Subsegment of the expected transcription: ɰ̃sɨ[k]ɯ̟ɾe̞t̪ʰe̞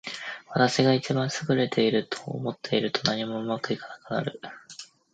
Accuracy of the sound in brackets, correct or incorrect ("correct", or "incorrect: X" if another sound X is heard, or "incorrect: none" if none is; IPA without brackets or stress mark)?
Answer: incorrect: ɡ